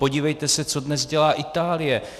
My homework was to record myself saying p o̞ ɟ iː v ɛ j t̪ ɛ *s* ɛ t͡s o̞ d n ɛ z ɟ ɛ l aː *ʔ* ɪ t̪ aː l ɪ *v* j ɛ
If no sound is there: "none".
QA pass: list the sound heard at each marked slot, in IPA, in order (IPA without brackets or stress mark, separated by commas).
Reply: s, ʔ, none